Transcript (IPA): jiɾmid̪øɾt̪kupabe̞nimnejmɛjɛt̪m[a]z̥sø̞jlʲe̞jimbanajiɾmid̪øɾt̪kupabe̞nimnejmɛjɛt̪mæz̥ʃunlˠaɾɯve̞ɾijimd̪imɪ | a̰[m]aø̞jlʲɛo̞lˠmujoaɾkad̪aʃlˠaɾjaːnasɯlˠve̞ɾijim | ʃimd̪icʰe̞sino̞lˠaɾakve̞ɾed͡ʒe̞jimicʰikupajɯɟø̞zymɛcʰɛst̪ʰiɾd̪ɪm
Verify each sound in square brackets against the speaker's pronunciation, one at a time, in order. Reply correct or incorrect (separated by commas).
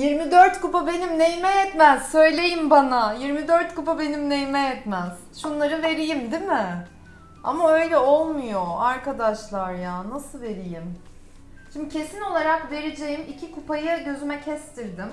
incorrect, correct